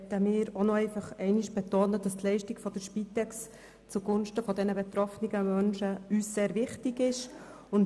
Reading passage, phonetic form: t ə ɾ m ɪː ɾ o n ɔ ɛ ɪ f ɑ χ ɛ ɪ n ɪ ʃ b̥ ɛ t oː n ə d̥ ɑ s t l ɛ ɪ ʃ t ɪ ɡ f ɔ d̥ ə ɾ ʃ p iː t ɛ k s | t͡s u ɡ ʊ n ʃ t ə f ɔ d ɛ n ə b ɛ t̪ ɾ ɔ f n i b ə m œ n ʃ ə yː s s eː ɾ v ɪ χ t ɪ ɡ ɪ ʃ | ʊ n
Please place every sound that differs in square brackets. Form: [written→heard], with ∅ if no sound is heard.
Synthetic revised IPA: t ə [ɾ→∅] m ɪː ɾ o n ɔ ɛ ɪ f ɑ χ ɛ ɪ n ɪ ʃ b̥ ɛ t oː n ə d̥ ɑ s t l ɛ ɪ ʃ t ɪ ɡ f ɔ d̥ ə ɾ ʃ p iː t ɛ k s | t͡s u ɡ ʊ n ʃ t ə f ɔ d ɛ n ə b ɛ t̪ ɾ ɔ f n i [b→ɡ] ə m œ n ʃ ə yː s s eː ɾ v ɪ χ t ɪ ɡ ɪ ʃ | ʊ n